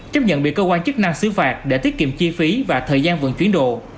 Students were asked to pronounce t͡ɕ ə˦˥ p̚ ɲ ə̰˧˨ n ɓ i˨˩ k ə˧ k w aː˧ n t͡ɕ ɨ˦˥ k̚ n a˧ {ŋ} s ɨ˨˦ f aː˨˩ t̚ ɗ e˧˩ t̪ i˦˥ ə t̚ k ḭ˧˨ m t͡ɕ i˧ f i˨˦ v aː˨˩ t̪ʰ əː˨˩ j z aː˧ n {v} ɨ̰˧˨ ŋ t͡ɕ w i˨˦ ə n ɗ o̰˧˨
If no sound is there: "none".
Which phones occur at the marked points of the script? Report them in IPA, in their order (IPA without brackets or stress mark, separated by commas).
ŋ, v